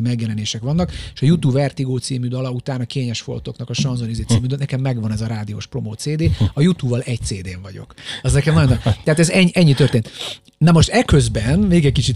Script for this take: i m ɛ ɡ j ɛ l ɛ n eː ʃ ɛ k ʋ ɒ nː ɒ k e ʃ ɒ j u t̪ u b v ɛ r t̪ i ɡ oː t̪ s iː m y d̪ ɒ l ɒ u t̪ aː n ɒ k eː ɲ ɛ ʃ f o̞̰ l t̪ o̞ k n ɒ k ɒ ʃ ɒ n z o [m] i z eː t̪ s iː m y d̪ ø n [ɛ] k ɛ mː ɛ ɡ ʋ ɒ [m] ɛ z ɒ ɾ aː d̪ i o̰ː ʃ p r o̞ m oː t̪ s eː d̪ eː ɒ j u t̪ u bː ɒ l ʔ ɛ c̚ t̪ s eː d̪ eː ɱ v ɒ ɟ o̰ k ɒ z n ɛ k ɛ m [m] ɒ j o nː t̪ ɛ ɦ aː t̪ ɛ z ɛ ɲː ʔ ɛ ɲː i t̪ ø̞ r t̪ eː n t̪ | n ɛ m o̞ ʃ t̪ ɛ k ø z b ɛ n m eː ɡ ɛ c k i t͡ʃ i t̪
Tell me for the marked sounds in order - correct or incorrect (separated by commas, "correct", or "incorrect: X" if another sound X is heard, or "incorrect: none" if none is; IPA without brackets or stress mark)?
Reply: incorrect: n, correct, incorrect: n, incorrect: n